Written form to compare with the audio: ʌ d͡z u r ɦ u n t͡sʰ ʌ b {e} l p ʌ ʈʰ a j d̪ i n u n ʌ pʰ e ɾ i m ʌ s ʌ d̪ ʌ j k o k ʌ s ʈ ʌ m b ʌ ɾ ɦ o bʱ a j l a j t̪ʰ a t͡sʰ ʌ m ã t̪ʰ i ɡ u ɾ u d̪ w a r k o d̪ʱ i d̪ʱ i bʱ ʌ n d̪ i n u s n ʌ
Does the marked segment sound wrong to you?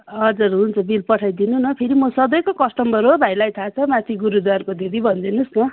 yes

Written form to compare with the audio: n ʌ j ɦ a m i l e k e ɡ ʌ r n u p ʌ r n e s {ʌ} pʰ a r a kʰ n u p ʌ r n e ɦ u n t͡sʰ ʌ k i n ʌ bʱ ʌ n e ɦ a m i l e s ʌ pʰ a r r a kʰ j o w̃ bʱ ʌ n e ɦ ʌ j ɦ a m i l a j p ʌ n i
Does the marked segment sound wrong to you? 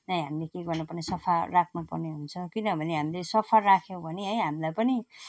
no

